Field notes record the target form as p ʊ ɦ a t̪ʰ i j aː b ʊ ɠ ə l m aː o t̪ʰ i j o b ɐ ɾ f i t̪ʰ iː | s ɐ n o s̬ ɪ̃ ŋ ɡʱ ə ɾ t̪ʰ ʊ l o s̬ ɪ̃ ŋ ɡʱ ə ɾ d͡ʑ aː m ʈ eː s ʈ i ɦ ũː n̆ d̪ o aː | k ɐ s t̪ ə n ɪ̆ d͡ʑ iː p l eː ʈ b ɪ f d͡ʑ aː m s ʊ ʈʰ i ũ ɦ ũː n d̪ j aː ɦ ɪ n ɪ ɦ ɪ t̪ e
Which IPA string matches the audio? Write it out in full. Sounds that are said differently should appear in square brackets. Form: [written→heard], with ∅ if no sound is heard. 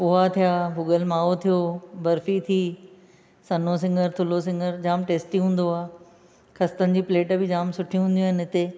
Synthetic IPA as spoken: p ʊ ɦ a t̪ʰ i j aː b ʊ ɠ ə l m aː o t̪ʰ i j o b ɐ ɾ f i t̪ʰ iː | s ɐ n o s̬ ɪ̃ ŋ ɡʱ ə ɾ t̪ʰ ʊ l o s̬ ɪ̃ ŋ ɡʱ ə ɾ d͡ʑ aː m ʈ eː s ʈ i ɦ ũː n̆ d̪ o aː | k ɐ s t̪ ə n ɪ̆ d͡ʑ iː p l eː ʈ b ɪ [f→∅] d͡ʑ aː m s ʊ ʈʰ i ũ ɦ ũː n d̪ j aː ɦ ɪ n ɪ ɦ ɪ t̪ e